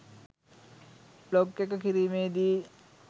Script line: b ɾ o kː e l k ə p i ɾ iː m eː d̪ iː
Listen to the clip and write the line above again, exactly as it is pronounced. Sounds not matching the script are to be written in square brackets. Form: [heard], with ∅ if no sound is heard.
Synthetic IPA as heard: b [l] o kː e [∅] k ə [k] i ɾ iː m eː d̪ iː